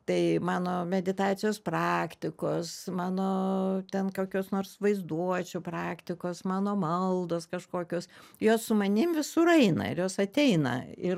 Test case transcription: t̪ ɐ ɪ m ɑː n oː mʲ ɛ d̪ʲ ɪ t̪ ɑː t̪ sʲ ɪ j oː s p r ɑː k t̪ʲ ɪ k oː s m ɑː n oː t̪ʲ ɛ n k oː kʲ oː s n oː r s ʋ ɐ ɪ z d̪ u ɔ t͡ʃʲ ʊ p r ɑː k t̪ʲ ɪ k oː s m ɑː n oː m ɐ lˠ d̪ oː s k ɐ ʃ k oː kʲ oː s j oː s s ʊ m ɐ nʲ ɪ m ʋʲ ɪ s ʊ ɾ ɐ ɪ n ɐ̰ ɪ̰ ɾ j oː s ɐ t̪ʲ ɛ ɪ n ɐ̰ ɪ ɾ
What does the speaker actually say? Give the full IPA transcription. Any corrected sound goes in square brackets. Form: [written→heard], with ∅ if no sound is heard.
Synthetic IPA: t̪ ɐ ɪ m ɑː n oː mʲ ɛ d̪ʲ ɪ t̪ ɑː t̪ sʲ ɪ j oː s p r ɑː k t̪ʲ ɪ k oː s m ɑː n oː t̪ʲ ɛ n k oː kʲ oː s n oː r s ʋ ɐ ɪ z d̪ u ɔ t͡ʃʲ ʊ p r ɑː k t̪ʲ ɪ k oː s m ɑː n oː m ɐ lˠ d̪ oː s k ɐ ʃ k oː kʲ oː s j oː s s ʊ m ɐ nʲ ɪ m ʋʲ ɪ s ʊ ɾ ɐ ɪ n ɐ̰ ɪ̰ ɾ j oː s ɐ t̪ʲ ɛ ɪ n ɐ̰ ɪ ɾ